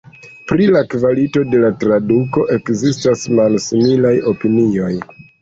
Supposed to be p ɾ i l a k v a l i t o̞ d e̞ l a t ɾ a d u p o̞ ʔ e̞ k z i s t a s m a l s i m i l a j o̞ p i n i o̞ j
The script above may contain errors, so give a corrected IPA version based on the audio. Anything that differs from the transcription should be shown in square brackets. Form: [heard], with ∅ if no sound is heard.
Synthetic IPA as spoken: p ɾ i l a k v a l i t o̞ d e̞ l a t ɾ a d u [k] o̞ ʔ e̞ k z i s t a s m a l s i m i l a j o̞ p i n i o̞ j